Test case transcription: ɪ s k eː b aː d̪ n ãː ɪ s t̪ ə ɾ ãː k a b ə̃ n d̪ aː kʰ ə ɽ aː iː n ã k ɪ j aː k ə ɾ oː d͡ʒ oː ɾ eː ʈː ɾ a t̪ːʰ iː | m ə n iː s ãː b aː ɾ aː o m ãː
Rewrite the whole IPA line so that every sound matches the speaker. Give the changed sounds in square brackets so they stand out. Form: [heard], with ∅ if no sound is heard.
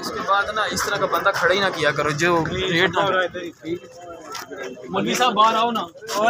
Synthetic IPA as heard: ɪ s k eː b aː d̪ n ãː ɪ s t̪ ə ɾ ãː k a b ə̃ n d̪ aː kʰ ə ɽ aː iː n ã k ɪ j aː k ə ɾ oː d͡ʒ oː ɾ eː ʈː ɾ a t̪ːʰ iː | m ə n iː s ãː b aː ɾ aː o [n] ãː